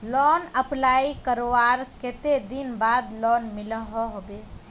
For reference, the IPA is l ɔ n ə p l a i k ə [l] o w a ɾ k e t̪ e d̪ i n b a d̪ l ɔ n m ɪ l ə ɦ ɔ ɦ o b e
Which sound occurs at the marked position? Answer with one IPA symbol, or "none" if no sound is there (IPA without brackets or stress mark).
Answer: ɾ